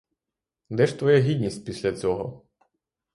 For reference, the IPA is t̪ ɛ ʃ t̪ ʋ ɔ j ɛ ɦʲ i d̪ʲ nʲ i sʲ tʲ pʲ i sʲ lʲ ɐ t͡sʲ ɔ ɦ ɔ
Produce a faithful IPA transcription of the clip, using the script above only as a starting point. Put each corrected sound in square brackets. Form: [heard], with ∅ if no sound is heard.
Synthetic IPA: [d̪] ɛ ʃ t̪ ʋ ɔ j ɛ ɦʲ i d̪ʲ nʲ i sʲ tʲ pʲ i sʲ lʲ ɐ t͡sʲ ɔ ɦ ɔ